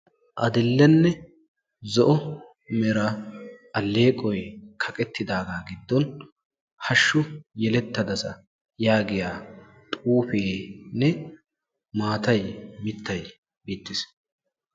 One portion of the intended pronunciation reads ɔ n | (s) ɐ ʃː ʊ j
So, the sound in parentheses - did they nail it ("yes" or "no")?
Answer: no